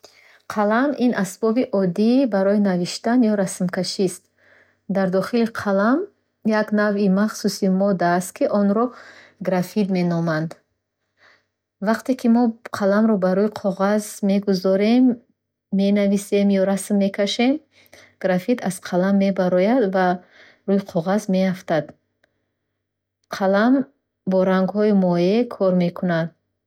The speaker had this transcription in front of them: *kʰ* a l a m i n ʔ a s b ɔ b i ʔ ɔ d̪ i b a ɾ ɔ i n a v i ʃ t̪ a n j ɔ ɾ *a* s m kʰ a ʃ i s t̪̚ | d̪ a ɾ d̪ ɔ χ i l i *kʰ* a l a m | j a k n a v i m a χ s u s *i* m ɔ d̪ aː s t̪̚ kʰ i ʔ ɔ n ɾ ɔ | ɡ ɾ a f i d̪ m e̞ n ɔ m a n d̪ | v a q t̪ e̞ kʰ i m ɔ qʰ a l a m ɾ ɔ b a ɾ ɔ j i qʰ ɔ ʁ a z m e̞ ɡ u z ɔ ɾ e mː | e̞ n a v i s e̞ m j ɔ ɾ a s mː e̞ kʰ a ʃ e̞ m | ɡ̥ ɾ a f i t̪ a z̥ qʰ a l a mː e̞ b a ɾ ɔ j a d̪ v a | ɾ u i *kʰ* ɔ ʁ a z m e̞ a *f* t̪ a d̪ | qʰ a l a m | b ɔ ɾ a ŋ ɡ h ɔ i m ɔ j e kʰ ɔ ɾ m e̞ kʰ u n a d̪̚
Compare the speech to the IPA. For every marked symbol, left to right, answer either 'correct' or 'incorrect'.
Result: incorrect, correct, incorrect, correct, incorrect, correct

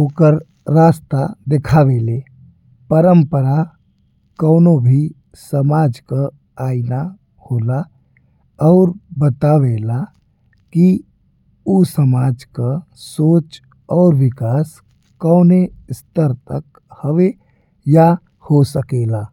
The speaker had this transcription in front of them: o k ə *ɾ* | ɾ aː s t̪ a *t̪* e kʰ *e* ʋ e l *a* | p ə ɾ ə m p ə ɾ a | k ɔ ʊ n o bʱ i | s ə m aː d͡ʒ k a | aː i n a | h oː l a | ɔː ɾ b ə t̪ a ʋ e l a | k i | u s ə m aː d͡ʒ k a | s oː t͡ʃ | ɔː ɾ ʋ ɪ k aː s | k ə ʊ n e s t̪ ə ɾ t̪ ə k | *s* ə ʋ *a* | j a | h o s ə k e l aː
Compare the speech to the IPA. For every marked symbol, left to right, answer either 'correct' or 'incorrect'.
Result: correct, incorrect, incorrect, incorrect, incorrect, incorrect

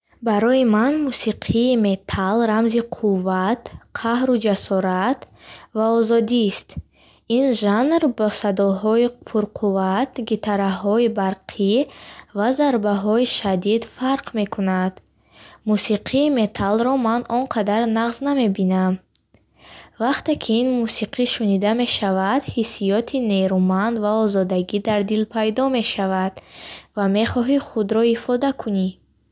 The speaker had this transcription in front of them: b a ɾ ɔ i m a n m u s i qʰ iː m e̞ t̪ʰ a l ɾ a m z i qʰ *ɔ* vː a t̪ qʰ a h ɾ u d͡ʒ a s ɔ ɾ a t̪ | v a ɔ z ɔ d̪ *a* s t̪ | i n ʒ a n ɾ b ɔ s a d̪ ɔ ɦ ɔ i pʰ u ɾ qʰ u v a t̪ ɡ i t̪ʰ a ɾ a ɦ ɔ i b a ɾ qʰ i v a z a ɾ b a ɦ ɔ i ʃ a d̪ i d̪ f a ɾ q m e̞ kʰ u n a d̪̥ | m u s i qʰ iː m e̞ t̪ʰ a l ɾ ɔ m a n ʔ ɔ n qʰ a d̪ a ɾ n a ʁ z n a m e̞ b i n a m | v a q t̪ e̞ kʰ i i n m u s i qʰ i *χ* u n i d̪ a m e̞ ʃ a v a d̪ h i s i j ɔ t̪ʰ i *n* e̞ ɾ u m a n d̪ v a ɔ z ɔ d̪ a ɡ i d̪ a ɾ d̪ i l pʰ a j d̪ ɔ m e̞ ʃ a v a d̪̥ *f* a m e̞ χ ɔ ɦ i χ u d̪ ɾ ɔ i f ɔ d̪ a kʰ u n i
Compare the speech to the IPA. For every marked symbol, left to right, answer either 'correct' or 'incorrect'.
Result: incorrect, incorrect, incorrect, correct, incorrect

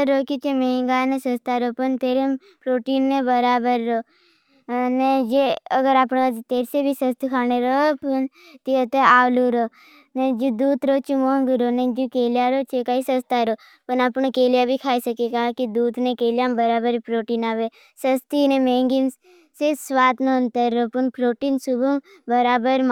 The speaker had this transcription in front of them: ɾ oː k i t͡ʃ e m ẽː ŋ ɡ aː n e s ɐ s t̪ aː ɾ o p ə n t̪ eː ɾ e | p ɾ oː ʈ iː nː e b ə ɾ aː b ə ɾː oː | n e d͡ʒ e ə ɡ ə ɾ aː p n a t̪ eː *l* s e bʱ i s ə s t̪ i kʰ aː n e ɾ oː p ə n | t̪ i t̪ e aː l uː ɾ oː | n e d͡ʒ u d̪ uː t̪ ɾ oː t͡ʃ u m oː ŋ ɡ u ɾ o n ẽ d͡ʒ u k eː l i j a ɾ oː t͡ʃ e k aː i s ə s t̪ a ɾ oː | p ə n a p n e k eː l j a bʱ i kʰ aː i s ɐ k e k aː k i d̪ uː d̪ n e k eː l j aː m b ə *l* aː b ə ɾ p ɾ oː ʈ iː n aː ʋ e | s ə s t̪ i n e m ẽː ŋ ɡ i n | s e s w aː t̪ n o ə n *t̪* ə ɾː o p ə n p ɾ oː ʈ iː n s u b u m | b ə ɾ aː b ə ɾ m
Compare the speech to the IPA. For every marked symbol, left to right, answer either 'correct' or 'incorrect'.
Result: incorrect, incorrect, correct

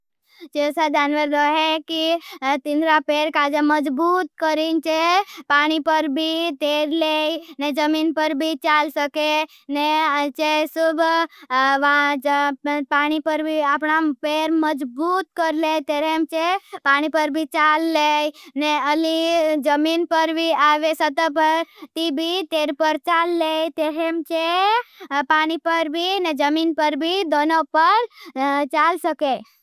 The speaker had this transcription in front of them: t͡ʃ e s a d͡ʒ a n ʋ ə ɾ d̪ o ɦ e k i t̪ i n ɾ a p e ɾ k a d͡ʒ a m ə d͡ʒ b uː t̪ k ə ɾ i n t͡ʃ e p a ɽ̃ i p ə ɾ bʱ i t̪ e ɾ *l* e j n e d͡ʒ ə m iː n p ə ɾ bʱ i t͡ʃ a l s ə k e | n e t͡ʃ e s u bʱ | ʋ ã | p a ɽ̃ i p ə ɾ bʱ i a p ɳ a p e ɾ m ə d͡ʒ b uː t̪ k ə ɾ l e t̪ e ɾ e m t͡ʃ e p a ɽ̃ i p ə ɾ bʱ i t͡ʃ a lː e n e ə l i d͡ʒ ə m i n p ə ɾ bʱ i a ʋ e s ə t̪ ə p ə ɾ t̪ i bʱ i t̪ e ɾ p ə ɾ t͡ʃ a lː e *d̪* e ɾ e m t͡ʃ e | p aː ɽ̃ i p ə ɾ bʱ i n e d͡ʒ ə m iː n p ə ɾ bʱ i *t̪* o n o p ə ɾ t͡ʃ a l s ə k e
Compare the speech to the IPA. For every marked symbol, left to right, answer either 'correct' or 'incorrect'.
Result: correct, incorrect, incorrect

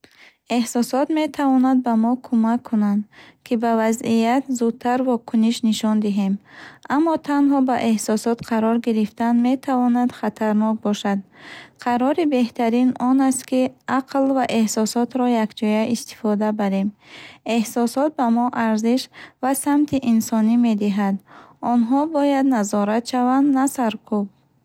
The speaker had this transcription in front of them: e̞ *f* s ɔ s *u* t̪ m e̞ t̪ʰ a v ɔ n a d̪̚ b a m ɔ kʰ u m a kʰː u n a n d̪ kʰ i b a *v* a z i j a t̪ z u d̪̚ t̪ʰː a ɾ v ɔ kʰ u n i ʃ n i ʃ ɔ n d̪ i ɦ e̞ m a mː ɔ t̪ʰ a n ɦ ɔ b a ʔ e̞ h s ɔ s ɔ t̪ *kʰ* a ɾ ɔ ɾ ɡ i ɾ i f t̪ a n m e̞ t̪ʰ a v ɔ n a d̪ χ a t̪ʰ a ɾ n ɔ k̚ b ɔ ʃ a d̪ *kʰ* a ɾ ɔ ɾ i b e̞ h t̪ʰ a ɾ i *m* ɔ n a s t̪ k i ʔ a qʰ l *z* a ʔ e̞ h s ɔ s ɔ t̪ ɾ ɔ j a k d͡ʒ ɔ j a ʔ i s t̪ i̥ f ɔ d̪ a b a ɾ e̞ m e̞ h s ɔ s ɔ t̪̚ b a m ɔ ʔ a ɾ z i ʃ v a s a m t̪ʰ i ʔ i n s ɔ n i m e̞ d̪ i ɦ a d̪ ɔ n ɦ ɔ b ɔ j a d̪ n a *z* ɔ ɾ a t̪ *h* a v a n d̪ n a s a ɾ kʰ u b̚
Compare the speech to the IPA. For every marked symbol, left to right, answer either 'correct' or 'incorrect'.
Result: incorrect, incorrect, correct, incorrect, incorrect, incorrect, incorrect, correct, incorrect

